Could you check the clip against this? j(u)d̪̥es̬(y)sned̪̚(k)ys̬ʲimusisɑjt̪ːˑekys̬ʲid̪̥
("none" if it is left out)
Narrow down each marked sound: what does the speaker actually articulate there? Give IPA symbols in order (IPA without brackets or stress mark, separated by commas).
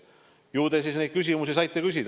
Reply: uː, i, k